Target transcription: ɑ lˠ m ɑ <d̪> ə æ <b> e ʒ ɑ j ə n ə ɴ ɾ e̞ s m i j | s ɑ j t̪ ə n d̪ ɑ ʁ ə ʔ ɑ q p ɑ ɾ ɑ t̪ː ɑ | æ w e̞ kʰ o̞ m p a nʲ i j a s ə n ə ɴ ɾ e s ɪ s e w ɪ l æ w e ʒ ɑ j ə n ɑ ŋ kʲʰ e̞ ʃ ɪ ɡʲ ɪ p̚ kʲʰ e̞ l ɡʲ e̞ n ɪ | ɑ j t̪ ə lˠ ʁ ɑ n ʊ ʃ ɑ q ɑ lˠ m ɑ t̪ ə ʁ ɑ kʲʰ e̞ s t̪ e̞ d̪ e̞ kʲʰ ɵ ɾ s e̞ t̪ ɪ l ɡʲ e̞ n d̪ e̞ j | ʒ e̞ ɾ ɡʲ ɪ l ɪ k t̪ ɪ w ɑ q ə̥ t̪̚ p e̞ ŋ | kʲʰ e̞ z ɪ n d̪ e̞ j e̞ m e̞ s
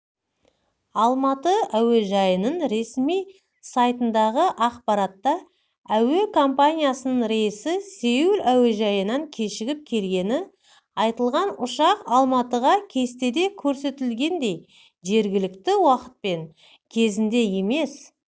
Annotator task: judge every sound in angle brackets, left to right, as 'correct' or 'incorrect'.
incorrect: t̪, incorrect: w

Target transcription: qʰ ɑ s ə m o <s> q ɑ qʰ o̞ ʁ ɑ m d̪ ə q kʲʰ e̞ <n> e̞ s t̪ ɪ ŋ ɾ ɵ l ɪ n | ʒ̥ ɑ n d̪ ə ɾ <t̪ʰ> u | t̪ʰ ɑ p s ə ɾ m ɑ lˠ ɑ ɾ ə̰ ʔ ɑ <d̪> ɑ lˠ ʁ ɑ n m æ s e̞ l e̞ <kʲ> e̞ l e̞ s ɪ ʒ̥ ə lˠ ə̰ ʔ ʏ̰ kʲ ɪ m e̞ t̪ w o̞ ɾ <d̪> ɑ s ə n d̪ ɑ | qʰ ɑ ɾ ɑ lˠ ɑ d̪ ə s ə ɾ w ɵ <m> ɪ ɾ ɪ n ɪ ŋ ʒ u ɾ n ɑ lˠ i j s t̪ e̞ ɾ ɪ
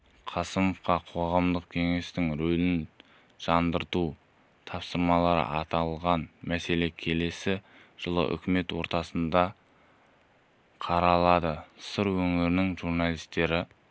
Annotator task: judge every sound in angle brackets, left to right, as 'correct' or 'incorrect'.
incorrect: f, incorrect: ŋ, incorrect: t̪, incorrect: t̪, incorrect: kʲʰ, incorrect: t̪, incorrect: ŋ

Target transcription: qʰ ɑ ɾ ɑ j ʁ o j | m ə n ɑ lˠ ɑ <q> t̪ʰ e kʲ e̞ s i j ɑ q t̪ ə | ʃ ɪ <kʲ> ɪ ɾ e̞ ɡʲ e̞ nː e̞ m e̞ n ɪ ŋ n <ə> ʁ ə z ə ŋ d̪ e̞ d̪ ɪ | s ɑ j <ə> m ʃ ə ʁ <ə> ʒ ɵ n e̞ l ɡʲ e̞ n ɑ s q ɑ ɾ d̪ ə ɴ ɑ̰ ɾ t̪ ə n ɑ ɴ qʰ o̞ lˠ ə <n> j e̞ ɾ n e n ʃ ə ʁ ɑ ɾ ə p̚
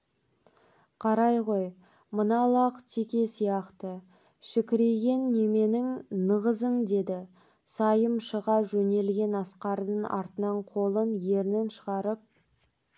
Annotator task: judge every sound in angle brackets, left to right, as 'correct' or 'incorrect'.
correct, correct, correct, correct, incorrect: ɑ, correct

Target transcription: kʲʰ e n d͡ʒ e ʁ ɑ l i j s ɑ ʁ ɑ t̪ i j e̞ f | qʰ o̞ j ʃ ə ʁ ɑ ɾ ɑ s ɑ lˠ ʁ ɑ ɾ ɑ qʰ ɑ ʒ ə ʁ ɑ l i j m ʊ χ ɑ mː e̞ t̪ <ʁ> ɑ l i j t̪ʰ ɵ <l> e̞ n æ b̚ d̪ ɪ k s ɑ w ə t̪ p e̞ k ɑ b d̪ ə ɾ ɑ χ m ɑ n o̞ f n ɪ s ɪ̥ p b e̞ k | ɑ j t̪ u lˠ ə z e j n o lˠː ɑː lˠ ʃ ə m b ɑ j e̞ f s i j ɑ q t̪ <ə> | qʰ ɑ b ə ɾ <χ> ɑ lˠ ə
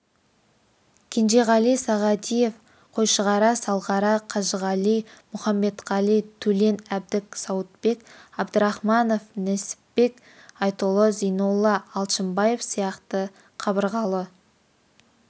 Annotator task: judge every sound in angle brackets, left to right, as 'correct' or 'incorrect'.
correct, correct, correct, incorrect: ʁ

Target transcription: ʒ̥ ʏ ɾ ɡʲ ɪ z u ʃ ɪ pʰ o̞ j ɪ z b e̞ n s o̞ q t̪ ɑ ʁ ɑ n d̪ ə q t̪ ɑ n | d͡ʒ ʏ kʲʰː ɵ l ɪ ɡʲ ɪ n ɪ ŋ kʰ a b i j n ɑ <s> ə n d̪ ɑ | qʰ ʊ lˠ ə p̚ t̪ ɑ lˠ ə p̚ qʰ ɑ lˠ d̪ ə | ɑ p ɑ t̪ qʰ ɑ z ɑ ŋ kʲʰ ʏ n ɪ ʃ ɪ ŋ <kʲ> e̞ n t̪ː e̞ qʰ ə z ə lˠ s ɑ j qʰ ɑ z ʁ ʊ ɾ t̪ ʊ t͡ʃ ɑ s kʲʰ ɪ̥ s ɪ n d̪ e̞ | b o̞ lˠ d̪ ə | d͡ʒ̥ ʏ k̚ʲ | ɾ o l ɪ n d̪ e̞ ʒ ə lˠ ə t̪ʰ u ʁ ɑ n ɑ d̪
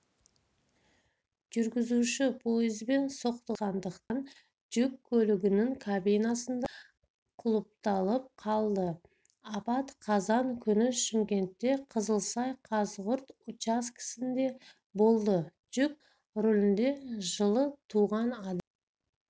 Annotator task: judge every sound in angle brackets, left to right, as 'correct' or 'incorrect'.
correct, correct

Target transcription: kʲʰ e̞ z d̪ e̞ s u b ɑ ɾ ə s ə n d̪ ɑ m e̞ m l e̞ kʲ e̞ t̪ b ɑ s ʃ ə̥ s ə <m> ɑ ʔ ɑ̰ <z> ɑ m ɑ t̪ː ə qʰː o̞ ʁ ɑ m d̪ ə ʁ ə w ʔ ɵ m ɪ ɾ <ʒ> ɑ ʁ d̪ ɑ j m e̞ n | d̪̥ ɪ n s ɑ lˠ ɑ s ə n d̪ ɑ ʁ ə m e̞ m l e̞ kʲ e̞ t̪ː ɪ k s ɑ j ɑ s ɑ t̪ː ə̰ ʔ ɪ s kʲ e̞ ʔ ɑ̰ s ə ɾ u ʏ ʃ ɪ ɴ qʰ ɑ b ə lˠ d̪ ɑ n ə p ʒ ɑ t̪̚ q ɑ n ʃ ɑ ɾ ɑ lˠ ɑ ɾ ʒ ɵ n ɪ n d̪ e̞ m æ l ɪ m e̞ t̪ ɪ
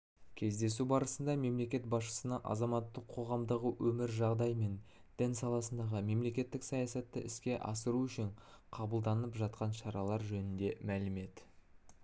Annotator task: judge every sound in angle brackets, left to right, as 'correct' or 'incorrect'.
incorrect: n, correct, correct

